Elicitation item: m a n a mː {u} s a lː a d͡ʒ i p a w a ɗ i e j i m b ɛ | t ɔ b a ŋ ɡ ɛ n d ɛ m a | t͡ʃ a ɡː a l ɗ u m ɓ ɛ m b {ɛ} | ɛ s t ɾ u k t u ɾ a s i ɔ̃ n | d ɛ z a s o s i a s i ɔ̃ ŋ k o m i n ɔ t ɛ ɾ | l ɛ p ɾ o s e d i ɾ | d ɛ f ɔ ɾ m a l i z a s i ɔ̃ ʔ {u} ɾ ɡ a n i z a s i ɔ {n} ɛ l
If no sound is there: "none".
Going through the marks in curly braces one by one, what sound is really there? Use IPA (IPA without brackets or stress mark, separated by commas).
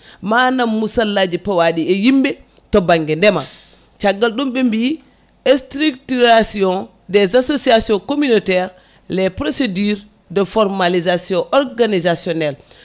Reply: u, i, ɔ, n